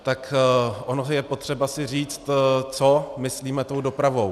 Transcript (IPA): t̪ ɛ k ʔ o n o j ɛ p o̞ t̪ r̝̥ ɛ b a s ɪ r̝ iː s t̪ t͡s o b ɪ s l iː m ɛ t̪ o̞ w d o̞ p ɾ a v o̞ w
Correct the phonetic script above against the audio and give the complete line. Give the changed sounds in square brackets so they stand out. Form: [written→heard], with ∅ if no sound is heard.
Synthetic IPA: t̪ [ɛ→a] k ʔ o n o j ɛ p o̞ t̪ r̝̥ ɛ b a s ɪ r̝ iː [s→t͡s] t̪ t͡s o [b→m] ɪ s l iː m ɛ t̪ o̞ w d o̞ p ɾ a v o̞ w